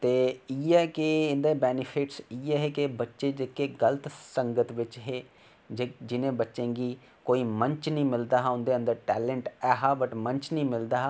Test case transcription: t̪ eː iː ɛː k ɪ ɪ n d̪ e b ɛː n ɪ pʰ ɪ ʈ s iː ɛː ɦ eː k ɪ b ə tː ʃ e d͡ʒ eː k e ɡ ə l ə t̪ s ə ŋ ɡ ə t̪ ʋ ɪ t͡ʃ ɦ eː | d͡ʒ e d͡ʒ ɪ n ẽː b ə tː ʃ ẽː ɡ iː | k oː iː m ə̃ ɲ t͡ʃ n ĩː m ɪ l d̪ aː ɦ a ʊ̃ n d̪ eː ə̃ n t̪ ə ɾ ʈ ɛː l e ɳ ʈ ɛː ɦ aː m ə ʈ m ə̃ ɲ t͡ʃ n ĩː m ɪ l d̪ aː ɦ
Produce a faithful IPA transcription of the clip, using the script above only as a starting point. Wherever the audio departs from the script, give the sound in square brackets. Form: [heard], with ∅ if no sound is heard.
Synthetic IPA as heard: t̪ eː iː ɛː k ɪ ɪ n d̪ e b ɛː n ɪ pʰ ɪ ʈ s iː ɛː ɦ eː k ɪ b ə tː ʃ e d͡ʒ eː k e ɡ ə l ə t̪ s ə ŋ ɡ ə t̪ ʋ ɪ t͡ʃ ɦ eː | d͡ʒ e d͡ʒ ɪ n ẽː b ə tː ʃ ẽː ɡ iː | k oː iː m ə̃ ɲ t͡ʃ n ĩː m ɪ l d̪ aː ɦ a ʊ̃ n d̪ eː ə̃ n [d̪] ə ɾ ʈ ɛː l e ɳ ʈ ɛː ɦ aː [b] ə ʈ m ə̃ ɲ t͡ʃ n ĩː m ɪ l d̪ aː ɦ

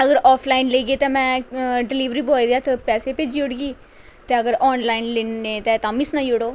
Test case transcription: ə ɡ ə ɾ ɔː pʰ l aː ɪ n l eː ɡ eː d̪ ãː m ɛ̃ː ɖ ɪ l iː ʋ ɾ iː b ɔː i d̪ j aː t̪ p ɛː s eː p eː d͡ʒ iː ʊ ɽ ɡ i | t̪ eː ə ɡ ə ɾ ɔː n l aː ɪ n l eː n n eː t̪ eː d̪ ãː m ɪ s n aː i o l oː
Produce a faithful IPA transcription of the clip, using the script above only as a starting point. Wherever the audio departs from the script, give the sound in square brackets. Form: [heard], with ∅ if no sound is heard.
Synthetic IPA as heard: ə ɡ ə ɾ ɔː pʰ l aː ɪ n l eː ɡ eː [t̪] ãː m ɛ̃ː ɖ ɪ l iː ʋ ɾ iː b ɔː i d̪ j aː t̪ p ɛː s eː p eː d͡ʒ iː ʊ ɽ ɡ [iː] | t̪ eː ə ɡ ə ɾ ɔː n l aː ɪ n l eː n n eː t̪ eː [t̪] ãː m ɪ s n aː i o [ɽ] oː

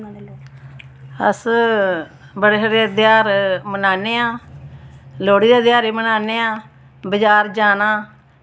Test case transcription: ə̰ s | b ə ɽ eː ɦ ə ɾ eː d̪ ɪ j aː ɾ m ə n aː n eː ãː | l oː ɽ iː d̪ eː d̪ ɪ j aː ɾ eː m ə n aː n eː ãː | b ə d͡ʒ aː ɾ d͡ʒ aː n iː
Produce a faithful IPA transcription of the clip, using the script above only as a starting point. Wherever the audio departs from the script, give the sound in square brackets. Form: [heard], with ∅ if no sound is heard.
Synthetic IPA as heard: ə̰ s | b ə ɽ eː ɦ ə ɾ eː d̪ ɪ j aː ɾ m ə n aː n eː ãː | l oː ɽ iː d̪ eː d̪ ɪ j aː ɾ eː m ə n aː n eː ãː | b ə d͡ʒ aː ɾ d͡ʒ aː n [aː]

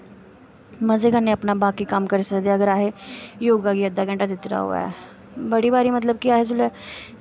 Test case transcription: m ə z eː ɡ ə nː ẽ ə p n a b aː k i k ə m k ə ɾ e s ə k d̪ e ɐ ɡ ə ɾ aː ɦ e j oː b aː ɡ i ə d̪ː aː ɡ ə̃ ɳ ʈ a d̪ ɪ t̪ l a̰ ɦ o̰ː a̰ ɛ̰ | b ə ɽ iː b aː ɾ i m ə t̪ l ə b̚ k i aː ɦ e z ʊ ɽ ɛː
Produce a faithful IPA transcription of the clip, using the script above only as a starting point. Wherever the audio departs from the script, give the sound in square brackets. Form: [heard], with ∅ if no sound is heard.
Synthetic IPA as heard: m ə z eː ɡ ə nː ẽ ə p n a b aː k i k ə m k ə ɾ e s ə k d̪ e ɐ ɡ ə ɾ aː ɦ e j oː [ɡ] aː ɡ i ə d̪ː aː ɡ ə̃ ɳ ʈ a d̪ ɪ t̪ [ɾ] a̰ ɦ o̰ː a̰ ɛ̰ | b ə ɽ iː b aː ɾ i m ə t̪ l ə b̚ k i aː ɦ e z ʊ [l] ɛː

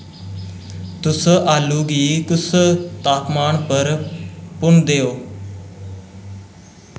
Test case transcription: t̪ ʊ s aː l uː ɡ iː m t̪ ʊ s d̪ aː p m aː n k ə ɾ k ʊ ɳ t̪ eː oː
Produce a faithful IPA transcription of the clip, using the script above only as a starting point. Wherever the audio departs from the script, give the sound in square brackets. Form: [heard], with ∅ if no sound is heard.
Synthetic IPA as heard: t̪ ʊ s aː l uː ɡ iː [∅] t̪ ʊ s [t̪] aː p m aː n [p] ə ɾ [p] ʊ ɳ [d̪] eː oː

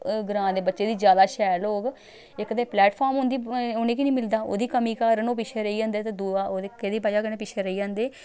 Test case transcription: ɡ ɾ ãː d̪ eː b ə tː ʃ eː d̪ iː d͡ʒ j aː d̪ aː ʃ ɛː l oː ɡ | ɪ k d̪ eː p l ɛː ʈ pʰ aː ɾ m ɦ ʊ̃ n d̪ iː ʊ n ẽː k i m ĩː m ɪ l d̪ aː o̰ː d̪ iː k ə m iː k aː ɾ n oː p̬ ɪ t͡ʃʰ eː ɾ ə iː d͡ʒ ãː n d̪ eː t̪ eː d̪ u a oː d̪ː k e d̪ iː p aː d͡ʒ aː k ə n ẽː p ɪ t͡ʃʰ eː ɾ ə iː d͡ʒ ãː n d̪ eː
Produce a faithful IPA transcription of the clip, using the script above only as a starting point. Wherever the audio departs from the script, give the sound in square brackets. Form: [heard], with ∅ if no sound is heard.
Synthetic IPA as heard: ɡ ɾ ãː d̪ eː b ə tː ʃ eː d̪ iː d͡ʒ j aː d̪ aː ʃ ɛː l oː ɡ | ɪ k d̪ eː p l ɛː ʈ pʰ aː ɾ m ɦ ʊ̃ n d̪ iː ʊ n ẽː k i [n] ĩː m ɪ l d̪ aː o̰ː d̪ iː k ə m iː k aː ɾ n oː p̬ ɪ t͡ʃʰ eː ɾ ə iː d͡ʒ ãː n d̪ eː t̪ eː d̪ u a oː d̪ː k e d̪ iː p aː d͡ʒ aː k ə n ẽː p ɪ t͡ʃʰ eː ɾ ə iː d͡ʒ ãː n d̪ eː

